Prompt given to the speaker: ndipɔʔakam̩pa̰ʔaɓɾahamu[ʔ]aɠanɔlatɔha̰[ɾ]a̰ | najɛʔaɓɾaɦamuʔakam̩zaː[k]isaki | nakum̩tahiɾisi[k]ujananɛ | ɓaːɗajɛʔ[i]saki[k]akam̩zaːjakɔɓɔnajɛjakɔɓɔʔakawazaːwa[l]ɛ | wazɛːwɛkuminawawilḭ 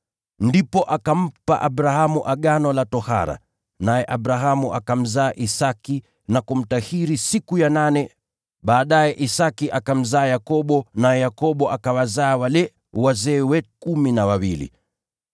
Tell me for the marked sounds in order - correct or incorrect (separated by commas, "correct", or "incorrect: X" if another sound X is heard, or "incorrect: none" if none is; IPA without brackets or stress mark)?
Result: correct, correct, incorrect: ʔ, correct, correct, incorrect: ʔ, correct